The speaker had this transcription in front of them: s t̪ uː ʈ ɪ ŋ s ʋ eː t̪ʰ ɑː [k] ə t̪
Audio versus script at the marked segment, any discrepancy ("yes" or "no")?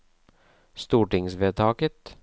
no